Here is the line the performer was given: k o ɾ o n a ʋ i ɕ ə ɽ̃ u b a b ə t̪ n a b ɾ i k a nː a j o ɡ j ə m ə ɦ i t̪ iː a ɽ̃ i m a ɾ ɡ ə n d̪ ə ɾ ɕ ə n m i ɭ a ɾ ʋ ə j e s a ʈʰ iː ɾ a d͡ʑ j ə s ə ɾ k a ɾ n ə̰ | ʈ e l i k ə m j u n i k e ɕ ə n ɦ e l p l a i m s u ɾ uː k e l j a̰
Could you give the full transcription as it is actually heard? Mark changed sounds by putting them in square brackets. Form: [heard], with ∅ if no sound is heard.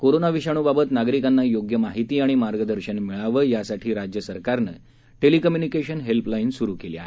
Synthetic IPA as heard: k o ɾ o n a ʋ i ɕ [a] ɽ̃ u b a b ə t̪ n a [ɡ] ɾ i k a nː a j o ɡ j ə m [a] ɦ i t̪ iː a ɽ̃ i m a ɾ ɡ ə [∅] d̪ ə ɾ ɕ ə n m i ɭ a [∅] ʋ ə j [a] s a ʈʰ iː ɾ a d͡ʑ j ə s ə ɾ k a ɾ n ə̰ | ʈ e l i k ə m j u n i k e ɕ ə n ɦ e l p l a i [n] s u ɾ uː k e l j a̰